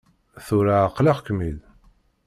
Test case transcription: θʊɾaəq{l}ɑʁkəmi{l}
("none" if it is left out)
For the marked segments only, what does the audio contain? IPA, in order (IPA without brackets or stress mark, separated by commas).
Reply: l, l